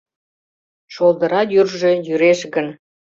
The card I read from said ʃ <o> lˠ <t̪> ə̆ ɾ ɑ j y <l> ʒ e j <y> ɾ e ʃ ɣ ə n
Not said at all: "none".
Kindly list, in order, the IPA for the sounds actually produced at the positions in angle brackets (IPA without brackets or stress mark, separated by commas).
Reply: o, d̪, r, y